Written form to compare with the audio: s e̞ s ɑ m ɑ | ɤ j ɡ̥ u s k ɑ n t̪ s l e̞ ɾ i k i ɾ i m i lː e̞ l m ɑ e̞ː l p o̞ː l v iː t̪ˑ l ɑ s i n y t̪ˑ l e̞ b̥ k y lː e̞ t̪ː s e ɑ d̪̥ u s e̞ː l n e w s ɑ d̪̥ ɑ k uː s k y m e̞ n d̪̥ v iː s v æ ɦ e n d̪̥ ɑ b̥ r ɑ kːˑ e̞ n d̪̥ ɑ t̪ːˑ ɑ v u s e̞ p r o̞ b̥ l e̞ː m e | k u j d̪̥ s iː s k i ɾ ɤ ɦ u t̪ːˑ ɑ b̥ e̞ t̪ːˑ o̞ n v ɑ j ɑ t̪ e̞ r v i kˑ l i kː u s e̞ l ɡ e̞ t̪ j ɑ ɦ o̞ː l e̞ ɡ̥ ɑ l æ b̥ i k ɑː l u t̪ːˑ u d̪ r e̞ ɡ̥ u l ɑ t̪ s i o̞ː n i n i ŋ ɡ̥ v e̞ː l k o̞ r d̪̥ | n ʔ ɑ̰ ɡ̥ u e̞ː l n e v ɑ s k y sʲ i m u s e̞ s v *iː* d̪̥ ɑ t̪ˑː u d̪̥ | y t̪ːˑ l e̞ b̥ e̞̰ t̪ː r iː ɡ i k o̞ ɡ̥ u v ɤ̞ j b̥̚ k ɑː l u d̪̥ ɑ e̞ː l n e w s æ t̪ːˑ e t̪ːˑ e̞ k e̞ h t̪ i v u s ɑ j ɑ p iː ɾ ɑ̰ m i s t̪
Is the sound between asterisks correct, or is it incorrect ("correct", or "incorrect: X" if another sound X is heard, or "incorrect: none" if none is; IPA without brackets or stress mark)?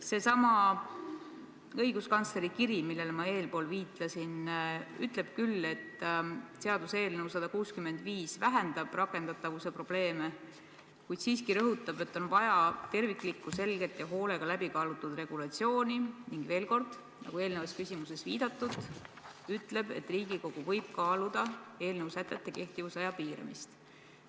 correct